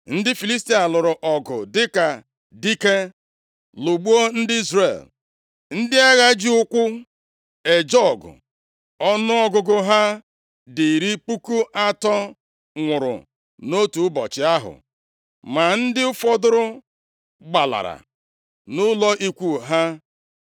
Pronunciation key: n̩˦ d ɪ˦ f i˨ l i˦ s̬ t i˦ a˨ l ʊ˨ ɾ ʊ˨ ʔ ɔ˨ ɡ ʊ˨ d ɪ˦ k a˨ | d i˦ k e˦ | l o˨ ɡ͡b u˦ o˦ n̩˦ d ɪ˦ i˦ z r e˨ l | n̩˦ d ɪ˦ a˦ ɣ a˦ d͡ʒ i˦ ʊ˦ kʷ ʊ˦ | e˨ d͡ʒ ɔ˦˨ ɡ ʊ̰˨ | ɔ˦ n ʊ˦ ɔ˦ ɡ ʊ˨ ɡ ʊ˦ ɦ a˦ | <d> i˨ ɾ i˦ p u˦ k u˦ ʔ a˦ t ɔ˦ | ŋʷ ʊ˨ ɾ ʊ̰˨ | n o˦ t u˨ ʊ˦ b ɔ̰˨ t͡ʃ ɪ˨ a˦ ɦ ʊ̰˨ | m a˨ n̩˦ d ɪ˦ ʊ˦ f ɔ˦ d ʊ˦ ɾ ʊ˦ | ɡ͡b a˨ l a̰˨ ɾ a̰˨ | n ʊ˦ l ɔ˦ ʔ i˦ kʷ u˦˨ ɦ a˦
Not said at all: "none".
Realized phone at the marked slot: d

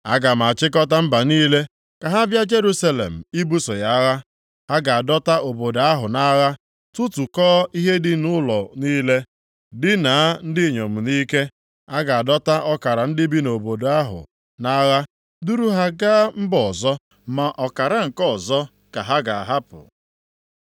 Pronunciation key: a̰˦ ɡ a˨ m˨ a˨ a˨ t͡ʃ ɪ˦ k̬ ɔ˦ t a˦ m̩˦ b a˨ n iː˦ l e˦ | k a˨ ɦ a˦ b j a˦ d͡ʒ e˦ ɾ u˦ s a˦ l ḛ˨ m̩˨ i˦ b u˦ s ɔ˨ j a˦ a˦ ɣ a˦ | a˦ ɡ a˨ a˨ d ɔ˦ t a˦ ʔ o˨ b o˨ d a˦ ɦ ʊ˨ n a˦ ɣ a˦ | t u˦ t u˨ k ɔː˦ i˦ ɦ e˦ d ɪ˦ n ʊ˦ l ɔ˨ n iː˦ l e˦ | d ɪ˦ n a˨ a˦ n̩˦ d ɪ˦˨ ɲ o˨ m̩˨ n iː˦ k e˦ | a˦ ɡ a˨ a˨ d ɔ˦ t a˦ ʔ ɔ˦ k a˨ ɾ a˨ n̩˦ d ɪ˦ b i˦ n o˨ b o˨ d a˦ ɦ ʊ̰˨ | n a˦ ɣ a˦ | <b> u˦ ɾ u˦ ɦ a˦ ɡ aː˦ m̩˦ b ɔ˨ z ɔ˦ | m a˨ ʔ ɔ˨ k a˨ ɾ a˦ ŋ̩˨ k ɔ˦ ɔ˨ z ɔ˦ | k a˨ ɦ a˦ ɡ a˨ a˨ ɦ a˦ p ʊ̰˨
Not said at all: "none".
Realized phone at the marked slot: d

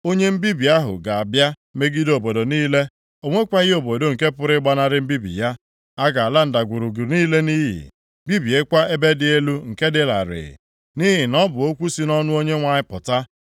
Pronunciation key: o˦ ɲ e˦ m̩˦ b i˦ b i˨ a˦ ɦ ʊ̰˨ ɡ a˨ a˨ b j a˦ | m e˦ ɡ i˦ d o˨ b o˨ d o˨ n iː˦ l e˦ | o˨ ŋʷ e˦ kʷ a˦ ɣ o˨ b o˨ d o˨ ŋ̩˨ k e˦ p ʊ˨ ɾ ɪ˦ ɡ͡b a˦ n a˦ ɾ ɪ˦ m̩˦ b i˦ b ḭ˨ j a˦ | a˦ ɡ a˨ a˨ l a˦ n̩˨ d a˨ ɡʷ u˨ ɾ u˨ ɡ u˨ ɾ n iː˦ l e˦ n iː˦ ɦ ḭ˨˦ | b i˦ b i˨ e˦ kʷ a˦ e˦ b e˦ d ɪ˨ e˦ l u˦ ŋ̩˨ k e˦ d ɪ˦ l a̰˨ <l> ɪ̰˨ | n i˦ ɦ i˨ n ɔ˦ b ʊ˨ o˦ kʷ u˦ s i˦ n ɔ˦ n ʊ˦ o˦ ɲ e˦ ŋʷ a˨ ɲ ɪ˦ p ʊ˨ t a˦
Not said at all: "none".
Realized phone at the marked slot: ɾ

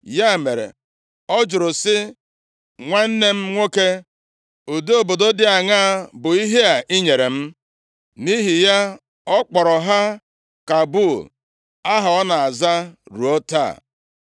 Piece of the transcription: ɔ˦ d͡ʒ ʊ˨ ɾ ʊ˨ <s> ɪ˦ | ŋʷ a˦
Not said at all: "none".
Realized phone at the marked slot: s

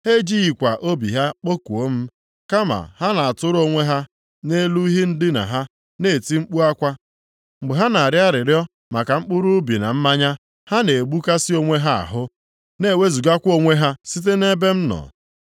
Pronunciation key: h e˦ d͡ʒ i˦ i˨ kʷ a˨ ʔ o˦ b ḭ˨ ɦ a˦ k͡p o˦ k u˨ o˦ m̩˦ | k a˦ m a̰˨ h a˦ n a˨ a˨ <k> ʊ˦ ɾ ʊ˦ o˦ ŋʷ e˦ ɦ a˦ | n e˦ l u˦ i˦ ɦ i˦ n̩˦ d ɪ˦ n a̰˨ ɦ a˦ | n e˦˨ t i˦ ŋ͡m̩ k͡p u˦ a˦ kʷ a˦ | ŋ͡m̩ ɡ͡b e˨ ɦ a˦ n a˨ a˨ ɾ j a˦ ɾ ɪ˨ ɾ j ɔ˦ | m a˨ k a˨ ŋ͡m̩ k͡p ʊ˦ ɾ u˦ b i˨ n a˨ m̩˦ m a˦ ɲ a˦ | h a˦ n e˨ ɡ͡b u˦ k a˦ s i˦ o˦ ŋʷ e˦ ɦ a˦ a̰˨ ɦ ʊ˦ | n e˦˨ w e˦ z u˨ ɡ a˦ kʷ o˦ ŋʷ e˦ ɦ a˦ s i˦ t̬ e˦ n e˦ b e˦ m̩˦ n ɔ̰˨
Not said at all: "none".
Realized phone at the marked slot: t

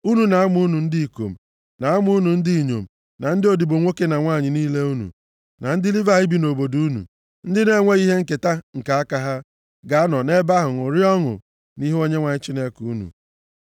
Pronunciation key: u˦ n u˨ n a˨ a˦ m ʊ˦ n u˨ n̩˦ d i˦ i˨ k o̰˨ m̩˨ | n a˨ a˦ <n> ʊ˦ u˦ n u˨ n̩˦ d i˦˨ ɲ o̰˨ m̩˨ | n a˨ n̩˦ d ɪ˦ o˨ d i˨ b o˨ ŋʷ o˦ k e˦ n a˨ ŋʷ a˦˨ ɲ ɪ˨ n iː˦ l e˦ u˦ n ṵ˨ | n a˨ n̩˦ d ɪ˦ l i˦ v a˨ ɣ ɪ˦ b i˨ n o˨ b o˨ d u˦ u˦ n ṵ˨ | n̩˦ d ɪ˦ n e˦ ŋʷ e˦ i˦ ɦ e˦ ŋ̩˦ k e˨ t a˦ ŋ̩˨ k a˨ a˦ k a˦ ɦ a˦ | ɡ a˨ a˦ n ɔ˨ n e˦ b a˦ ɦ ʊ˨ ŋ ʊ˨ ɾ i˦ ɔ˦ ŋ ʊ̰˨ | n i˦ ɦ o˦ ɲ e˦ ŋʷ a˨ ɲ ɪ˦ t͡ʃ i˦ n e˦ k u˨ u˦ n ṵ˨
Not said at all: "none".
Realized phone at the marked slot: m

